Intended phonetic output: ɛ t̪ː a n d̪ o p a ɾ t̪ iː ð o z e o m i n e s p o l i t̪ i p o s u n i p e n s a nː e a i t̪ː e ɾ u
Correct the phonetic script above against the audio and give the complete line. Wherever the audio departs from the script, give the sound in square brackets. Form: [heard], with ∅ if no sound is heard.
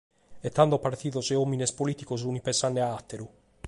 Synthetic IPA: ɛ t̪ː a n d̪ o p a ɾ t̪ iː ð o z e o m i n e s p o l i t̪ i [k] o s u n i p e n s a nː e a [a] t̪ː e ɾ u